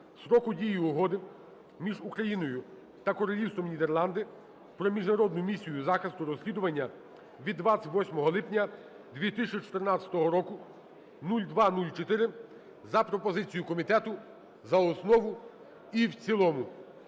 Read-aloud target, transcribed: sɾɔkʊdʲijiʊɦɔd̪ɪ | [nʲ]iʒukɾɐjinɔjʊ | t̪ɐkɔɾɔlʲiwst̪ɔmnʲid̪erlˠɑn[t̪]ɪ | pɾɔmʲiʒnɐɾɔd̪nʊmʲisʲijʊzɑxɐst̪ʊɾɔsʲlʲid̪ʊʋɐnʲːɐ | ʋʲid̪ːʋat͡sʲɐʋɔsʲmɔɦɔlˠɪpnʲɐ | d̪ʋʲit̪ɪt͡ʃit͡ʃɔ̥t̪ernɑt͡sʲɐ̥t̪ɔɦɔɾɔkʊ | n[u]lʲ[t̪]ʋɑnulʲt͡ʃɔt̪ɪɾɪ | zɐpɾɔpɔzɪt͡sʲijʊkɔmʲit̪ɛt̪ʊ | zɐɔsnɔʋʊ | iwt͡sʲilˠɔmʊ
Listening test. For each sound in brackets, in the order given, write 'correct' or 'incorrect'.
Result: incorrect: mʲ, incorrect: d̪, correct, incorrect: d̪

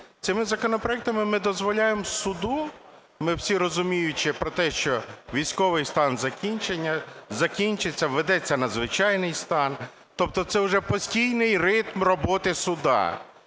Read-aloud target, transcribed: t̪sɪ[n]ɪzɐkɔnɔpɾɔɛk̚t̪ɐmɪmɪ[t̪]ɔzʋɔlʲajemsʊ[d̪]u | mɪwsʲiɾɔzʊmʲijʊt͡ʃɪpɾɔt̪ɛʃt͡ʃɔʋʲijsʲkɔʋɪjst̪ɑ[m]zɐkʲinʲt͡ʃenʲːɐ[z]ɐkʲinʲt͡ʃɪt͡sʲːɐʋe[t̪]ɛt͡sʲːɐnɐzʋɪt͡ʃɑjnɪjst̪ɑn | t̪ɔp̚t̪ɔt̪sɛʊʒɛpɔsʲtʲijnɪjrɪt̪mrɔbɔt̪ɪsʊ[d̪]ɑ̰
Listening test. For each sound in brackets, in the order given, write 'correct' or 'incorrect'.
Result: incorrect: m, incorrect: d̪, correct, incorrect: n, correct, incorrect: d̪, correct

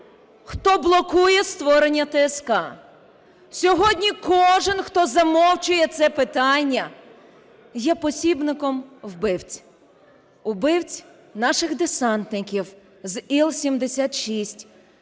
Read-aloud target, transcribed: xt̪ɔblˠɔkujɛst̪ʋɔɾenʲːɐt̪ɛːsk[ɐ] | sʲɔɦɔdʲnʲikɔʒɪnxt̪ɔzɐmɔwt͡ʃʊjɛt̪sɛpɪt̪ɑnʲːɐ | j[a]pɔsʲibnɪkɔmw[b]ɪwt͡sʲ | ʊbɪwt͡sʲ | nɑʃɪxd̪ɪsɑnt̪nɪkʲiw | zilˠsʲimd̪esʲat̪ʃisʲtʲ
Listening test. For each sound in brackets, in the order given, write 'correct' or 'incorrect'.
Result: incorrect: ɑ, incorrect: ɛ, correct

